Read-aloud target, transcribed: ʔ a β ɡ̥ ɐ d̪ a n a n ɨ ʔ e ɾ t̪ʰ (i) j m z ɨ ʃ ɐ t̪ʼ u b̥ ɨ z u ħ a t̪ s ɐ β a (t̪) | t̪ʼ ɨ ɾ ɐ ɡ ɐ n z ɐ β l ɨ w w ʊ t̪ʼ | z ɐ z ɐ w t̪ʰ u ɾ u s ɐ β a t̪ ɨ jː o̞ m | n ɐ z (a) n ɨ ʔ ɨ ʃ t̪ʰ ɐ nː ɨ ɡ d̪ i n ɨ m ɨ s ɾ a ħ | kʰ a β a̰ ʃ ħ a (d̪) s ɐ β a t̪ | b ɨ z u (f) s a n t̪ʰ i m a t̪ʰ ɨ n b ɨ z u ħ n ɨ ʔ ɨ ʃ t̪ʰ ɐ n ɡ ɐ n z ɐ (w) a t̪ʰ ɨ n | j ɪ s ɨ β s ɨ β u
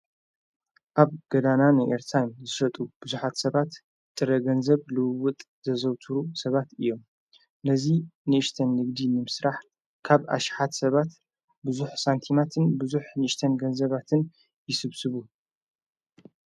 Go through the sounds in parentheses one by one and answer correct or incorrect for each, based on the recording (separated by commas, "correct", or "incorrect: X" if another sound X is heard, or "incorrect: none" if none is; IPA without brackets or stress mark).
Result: incorrect: a, correct, incorrect: i, incorrect: t̪, incorrect: ħ, incorrect: β